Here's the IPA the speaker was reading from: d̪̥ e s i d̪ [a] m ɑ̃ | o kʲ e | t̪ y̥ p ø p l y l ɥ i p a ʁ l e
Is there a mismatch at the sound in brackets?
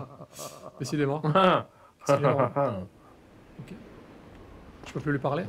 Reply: yes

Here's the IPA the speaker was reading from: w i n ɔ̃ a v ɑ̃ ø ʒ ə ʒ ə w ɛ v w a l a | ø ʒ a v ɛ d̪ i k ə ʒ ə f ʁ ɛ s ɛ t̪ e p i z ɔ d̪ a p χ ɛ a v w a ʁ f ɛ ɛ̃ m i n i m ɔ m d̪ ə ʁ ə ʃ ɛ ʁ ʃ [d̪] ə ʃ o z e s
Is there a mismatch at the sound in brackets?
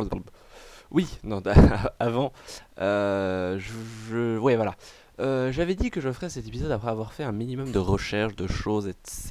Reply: no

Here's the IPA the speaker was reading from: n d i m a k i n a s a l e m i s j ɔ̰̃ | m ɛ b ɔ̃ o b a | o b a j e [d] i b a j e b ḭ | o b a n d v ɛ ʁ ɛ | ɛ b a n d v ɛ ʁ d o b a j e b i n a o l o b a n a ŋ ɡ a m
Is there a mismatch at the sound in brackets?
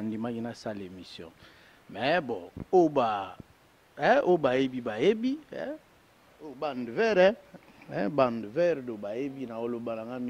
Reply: yes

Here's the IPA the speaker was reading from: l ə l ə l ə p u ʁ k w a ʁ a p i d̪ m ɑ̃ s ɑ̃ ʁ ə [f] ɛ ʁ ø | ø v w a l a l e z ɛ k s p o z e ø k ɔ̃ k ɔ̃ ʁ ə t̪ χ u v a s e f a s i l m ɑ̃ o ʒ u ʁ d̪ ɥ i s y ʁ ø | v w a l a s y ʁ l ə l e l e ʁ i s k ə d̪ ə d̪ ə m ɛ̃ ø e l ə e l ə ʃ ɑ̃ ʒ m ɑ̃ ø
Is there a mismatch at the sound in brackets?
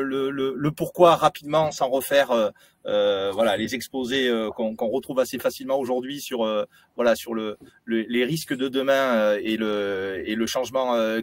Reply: no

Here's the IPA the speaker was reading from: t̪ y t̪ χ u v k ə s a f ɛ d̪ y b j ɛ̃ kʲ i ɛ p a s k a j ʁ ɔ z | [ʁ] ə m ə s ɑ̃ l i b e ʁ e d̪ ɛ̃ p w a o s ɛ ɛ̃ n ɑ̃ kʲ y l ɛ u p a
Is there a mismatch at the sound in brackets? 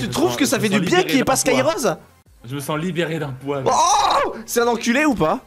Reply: yes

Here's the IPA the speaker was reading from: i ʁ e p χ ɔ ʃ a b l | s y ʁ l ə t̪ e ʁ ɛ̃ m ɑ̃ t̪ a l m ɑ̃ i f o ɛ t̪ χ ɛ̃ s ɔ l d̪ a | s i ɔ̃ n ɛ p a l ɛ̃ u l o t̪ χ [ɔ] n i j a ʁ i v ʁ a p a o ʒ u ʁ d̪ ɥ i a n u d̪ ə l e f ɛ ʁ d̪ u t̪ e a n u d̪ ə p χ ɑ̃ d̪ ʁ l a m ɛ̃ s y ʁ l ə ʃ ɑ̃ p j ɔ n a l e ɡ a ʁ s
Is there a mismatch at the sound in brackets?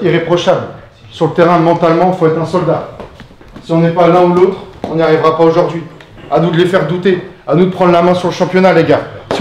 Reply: yes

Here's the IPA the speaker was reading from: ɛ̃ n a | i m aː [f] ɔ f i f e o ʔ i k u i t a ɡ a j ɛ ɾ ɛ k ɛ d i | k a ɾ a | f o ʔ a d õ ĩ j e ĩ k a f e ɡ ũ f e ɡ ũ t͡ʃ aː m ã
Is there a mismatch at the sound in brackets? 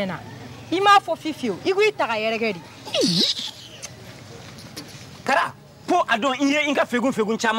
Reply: no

